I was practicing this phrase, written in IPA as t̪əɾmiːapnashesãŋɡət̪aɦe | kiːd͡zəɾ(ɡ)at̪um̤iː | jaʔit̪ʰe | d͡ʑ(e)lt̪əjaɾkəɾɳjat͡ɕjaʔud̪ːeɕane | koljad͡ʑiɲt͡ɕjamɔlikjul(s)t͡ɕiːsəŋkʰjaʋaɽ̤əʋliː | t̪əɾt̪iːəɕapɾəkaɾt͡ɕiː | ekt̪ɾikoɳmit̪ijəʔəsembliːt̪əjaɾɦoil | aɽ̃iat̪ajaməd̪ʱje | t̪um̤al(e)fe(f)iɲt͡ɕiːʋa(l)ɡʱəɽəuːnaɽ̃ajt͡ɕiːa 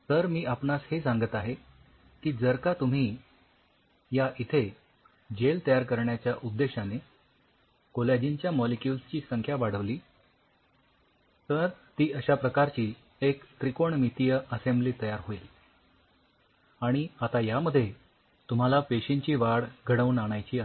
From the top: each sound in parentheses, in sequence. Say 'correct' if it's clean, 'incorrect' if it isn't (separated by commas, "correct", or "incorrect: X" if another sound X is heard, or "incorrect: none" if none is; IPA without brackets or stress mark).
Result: incorrect: k, correct, correct, incorrect: a, incorrect: ɕ, incorrect: ɽ